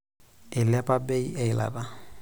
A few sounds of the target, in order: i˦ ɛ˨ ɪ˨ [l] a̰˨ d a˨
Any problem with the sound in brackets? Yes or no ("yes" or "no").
no